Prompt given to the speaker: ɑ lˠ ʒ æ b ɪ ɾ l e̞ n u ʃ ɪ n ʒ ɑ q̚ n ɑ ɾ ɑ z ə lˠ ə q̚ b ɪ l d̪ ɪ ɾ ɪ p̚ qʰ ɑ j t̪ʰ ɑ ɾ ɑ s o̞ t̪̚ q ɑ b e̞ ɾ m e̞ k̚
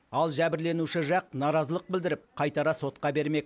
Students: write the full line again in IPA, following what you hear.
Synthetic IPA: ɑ lˠ ʒ æ b ɪ ɾ l e̞ n u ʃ ɪ ʒ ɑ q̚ n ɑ ɾ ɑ z ə lˠ ə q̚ b ɪ l d̪ ɪ ɾ ɪ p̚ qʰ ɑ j t̪ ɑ ɾ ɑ s o̞ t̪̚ q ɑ b e̞ ɾ m e̞ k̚